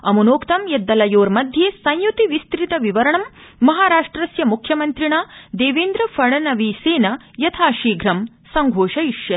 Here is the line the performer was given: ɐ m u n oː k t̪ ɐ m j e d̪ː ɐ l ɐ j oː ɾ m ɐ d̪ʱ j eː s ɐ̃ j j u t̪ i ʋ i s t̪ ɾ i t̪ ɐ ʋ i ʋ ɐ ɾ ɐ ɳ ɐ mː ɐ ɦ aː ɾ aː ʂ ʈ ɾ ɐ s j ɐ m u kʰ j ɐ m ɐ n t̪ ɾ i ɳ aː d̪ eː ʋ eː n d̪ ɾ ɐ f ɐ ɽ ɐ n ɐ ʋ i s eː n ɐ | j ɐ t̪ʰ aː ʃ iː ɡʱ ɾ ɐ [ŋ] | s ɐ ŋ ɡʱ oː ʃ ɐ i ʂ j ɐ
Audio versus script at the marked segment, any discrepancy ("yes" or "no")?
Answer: yes